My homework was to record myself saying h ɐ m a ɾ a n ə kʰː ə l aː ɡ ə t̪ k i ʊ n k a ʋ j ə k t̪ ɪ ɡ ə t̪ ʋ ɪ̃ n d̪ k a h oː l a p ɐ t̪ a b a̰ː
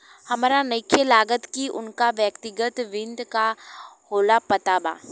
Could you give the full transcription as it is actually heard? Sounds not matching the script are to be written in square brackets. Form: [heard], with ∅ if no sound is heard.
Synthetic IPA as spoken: h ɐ m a ɾ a n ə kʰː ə l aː ɡ ə t̪ k i ʊ n k a ʋ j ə k t̪ ɪ ɡ ə t̪ ʋ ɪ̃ n d̪ k a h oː l a p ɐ t̪ a b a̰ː

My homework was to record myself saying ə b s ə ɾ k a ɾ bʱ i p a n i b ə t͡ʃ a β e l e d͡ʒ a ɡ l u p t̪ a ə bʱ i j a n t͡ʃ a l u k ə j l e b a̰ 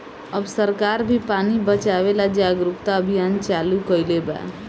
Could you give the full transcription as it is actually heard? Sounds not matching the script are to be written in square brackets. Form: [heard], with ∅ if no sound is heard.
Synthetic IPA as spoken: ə b s ə ɾ k a ɾ bʱ i p a n i b ə t͡ʃ a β e l [a] d͡ʒ a ɡ [ɾ] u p t̪ a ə bʱ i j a n t͡ʃ a l u k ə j l e b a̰

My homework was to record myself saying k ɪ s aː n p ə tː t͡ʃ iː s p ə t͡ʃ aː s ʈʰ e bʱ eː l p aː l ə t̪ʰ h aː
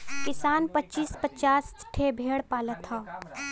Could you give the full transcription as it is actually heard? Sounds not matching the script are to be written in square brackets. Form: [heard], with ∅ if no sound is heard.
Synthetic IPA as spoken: k ɪ s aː n p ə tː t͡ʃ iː s p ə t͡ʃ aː s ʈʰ e bʱ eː [ɽ] p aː l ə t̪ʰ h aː

